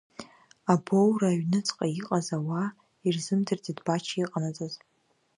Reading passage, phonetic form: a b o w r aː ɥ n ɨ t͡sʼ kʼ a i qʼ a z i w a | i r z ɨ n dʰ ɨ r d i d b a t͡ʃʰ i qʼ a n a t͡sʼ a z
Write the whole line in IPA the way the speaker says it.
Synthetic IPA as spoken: a b o w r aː ɥ n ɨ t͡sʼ qʼ a i qʼ a z a w a | i r z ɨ m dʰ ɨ r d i d b a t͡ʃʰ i qʼ a n a t͡sʼ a z